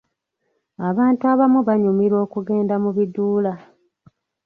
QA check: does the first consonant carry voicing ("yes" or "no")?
yes